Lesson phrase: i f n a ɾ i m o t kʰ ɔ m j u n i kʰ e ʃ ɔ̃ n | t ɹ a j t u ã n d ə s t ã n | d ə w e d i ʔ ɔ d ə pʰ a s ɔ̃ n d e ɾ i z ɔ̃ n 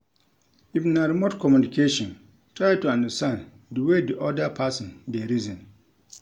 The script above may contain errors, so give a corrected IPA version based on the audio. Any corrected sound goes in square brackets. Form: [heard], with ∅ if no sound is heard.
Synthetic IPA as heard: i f n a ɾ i m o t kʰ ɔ m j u n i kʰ e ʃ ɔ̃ n | t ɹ a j t u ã n d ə s t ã n | d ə w e d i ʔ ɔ d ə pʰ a s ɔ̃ n d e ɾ i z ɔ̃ n